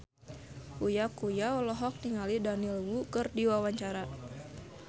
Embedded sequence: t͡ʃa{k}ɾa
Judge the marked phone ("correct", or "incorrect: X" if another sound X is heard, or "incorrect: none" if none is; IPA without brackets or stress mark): incorrect: none